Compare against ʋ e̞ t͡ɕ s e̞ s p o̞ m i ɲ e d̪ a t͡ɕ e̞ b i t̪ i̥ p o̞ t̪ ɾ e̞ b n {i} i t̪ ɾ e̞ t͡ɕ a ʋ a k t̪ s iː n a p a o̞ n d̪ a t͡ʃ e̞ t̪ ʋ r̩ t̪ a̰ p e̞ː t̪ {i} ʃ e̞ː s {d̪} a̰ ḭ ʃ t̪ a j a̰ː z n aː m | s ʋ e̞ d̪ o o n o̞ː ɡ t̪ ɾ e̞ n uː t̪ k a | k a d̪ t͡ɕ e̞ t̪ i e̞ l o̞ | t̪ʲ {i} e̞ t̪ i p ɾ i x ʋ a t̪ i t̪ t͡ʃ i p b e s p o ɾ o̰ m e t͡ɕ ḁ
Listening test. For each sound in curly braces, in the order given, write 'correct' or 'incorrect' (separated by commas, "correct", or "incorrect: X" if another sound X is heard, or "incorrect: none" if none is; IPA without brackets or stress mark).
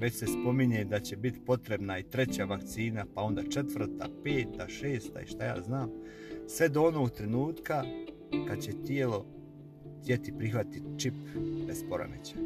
incorrect: a, incorrect: a, incorrect: t̪, incorrect: j